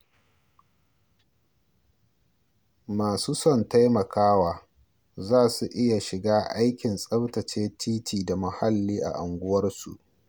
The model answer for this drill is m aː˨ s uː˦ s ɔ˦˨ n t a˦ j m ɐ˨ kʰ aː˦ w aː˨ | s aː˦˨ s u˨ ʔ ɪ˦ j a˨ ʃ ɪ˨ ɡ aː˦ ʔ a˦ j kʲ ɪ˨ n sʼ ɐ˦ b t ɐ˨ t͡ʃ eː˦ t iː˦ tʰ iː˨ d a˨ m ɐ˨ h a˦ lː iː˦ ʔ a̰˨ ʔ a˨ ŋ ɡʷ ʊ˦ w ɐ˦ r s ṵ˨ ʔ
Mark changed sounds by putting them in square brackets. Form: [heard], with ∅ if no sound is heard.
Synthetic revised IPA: m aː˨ s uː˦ s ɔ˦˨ n t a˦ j m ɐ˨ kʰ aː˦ w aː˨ | [z] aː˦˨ s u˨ ʔ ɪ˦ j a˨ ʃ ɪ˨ ɡ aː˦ ʔ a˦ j kʲ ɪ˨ n sʼ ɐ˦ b t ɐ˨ t͡ʃ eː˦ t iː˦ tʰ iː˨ d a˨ m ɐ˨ h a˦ lː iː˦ ʔ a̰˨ ʔ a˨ ŋ ɡʷ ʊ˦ w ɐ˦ r s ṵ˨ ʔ